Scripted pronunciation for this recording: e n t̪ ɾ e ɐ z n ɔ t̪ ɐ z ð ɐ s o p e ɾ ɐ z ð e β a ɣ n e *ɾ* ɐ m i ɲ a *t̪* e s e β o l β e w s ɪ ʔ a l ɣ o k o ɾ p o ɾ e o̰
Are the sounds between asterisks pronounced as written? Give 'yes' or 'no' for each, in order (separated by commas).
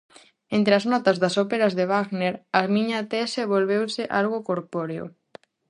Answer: yes, yes